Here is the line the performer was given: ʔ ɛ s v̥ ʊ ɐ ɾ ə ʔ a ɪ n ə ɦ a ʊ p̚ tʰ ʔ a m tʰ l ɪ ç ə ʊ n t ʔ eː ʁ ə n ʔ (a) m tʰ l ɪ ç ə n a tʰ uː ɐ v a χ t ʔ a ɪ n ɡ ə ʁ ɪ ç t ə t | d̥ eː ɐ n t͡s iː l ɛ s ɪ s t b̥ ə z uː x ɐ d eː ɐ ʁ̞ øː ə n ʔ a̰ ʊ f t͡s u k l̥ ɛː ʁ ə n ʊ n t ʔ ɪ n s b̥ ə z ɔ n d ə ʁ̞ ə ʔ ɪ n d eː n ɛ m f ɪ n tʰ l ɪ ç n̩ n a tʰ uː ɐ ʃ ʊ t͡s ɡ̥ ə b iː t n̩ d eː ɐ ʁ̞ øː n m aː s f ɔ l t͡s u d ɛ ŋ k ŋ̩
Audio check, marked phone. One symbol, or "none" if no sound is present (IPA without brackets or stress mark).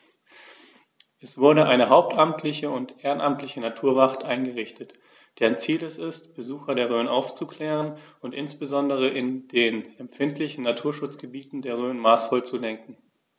a